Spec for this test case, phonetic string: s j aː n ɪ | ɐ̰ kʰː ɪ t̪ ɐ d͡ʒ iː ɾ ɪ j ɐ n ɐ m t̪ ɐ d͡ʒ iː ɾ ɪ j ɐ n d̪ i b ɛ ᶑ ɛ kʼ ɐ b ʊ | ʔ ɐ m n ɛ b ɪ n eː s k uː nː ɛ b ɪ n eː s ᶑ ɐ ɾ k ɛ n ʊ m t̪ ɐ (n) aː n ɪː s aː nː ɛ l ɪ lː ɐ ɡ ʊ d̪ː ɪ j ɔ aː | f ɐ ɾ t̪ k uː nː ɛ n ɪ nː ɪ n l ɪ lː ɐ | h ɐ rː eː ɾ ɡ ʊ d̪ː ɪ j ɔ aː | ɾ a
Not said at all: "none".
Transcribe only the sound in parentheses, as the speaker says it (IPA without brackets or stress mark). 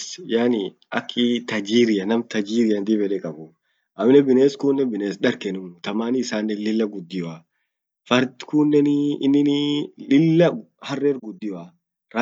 m